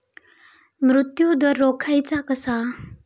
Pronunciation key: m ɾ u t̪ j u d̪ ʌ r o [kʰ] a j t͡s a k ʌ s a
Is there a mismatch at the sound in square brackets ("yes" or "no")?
no